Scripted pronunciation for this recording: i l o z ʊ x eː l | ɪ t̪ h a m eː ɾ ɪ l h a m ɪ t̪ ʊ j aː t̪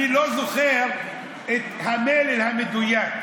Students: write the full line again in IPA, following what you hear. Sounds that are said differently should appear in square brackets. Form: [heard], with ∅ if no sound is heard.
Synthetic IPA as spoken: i l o z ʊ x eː [ɾ] | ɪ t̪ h a m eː [l] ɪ l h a m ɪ [d̪] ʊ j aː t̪